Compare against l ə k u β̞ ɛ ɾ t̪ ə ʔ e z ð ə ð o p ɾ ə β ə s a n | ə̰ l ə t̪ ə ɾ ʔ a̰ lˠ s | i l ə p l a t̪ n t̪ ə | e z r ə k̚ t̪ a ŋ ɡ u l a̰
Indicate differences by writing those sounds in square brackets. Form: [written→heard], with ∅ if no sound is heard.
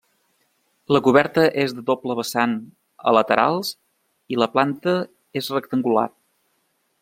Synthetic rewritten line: l ə k u β̞ ɛ ɾ t̪ ə ʔ e z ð ə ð o p [ɾ→l] ə β ə s a n | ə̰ l ə t̪ ə ɾ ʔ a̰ lˠ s | i l ə p l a [t̪→∅] n t̪ ə | e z r ə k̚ t̪ [a→ə] ŋ ɡ u l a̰